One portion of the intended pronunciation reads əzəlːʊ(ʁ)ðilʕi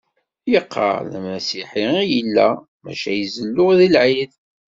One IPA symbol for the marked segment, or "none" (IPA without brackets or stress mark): ʁ